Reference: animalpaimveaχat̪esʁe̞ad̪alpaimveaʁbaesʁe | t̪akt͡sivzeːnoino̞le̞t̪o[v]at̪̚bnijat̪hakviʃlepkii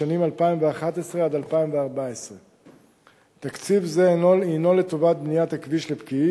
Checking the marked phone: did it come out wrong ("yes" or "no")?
no